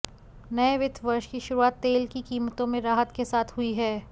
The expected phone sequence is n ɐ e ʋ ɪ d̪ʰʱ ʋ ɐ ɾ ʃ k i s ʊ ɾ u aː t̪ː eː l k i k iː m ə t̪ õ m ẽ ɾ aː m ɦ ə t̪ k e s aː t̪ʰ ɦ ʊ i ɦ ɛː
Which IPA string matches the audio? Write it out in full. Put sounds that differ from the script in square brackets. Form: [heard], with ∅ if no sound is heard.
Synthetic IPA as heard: n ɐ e ʋ ɪ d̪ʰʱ ʋ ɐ ɾ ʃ k i [ʃ] ʊ ɾ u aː t̪ː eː l k i k iː m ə t̪ õ m ẽ ɾ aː [∅] ɦ ə t̪ k e s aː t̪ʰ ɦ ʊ i ɦ ɛː